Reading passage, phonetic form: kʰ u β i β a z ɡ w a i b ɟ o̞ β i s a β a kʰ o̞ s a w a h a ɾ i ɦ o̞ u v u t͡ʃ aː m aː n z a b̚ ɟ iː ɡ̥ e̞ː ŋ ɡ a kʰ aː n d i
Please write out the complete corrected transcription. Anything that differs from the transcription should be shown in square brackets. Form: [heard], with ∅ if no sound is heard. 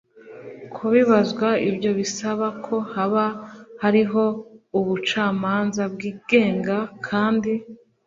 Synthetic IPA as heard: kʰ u β i β a z ɡ w a i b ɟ o̞ β i s a β a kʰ o̞ [h] a [β] a h a ɾ i ɦ o̞ u [β] u t͡ʃ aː m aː n z a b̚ [ɡ] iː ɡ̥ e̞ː ŋ ɡ a kʰ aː n d i